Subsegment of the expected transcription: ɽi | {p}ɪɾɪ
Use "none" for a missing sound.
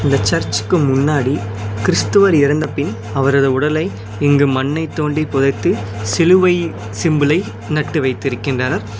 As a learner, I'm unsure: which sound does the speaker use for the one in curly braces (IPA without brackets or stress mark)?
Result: k